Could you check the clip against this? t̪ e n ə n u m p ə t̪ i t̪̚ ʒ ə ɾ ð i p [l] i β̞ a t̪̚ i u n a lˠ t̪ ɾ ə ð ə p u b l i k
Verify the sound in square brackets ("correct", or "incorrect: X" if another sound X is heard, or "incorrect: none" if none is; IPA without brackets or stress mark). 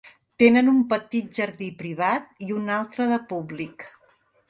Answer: incorrect: ɾ